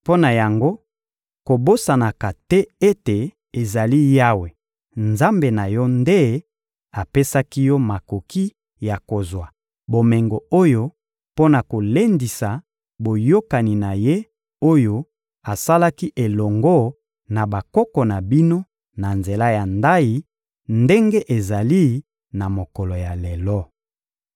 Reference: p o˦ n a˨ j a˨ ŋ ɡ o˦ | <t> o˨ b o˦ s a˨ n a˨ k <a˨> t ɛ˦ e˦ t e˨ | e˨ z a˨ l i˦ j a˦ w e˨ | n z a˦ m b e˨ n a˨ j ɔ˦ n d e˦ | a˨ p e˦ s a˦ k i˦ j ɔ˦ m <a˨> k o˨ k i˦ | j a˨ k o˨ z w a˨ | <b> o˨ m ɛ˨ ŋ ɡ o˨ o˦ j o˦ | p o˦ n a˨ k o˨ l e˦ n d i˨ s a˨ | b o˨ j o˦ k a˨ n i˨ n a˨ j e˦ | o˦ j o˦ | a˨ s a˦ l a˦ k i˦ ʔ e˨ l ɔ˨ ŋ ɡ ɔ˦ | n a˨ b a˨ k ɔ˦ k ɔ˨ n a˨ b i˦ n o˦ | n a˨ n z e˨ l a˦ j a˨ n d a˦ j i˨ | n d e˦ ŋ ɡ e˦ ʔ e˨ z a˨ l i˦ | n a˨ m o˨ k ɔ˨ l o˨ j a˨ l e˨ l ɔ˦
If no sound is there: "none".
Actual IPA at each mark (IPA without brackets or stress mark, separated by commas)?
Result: k, a˨, a˨, b